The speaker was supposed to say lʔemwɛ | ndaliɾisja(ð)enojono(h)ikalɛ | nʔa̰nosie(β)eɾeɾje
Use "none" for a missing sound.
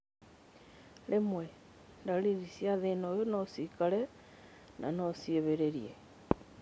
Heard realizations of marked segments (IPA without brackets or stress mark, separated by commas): ð, s, β